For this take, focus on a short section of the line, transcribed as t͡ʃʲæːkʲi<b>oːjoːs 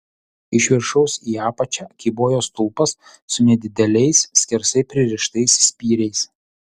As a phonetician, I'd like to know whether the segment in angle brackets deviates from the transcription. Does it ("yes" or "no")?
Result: no